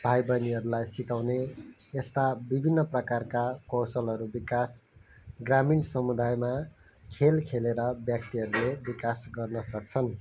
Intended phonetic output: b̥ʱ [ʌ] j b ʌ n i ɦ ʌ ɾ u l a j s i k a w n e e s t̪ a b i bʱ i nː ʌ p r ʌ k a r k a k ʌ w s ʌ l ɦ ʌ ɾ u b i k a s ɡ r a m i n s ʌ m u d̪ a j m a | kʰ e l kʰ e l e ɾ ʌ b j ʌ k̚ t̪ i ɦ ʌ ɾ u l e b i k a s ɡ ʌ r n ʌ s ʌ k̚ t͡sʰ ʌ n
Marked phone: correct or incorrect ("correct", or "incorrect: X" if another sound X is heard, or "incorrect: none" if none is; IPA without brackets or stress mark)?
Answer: incorrect: a